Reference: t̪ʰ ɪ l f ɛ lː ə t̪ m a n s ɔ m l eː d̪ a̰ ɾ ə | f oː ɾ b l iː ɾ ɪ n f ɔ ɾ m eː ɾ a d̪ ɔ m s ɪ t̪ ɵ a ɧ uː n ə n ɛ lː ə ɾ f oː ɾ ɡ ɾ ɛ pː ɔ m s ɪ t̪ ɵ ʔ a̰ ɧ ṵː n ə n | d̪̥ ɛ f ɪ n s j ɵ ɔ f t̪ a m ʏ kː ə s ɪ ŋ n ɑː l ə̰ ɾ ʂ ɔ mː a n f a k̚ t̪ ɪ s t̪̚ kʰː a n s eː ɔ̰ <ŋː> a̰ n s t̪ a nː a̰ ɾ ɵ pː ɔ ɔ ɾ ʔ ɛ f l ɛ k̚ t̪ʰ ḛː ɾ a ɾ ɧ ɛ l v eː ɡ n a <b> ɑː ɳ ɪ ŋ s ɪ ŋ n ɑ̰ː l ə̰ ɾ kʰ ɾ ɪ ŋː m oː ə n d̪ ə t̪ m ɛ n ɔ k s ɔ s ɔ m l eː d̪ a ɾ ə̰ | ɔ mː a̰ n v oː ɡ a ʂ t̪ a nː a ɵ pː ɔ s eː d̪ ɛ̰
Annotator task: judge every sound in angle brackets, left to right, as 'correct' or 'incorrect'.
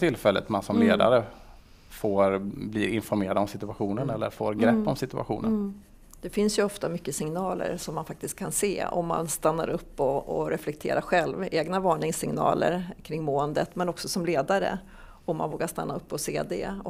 incorrect: mː, incorrect: v

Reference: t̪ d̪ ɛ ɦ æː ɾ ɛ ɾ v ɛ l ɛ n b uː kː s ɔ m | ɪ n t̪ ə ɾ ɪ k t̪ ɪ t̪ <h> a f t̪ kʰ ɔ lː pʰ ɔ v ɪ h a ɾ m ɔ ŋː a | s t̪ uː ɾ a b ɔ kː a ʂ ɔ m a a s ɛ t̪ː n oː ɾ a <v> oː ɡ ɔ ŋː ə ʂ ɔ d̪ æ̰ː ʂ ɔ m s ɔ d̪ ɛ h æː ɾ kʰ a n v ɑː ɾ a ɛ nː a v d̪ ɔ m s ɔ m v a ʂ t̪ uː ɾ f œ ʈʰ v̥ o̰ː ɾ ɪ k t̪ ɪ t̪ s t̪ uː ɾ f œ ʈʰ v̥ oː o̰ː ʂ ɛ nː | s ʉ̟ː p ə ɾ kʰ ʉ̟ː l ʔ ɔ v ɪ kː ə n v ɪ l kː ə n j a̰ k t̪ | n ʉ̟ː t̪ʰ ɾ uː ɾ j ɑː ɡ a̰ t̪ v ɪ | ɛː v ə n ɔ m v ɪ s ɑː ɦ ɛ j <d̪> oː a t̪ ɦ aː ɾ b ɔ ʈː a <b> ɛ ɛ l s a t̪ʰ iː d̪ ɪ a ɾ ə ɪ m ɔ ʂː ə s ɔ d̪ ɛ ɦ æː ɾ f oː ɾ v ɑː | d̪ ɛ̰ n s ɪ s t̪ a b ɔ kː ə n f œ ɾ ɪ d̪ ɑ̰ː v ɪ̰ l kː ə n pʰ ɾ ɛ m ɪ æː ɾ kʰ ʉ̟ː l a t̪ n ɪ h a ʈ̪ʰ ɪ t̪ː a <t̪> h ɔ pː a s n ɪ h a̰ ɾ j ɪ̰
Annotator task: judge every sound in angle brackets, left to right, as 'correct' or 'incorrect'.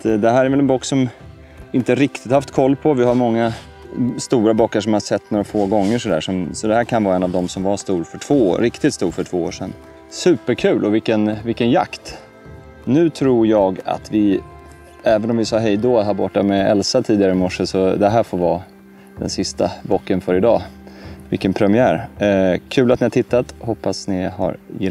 correct, incorrect: f, correct, incorrect: m, correct

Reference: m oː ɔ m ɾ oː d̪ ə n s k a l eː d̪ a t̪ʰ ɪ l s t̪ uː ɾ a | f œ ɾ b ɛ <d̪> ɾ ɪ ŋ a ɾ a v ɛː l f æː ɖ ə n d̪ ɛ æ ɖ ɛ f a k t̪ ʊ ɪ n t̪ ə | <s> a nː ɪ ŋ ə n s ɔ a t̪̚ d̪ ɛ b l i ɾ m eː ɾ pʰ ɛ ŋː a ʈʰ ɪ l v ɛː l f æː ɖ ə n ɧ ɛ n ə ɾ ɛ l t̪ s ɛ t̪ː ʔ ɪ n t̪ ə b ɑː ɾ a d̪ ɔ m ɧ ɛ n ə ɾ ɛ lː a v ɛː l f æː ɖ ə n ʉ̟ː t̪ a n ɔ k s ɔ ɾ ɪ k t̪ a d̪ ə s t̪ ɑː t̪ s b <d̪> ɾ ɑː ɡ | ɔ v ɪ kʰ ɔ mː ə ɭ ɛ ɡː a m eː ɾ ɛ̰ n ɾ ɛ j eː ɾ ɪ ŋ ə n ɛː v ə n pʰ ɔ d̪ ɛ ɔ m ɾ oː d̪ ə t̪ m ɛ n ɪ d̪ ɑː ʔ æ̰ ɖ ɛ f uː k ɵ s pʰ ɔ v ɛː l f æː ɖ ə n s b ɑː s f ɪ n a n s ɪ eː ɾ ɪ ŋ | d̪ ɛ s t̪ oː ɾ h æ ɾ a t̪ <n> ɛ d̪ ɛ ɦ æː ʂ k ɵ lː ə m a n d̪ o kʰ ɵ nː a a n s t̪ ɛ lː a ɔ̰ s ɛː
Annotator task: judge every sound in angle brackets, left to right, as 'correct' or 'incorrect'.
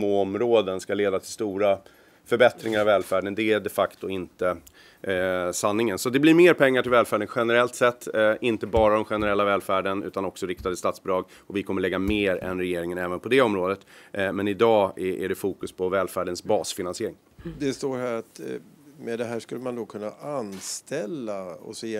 incorrect: t̪, correct, correct, incorrect: m

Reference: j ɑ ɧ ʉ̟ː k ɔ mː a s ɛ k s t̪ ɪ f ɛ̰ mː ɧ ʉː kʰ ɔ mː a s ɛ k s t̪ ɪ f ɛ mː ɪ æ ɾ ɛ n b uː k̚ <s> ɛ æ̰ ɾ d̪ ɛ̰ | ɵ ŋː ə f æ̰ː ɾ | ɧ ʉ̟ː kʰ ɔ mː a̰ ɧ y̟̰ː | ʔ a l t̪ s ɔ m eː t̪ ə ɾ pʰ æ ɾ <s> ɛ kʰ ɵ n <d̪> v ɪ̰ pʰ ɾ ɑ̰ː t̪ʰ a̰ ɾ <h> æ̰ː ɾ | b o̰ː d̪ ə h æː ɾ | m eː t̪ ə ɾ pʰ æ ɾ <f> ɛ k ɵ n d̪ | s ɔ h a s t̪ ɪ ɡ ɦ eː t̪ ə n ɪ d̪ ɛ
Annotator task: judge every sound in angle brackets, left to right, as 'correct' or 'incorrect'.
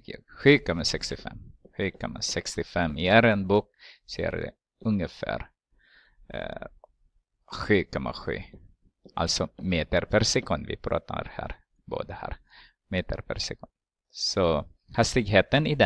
correct, correct, correct, correct, incorrect: s

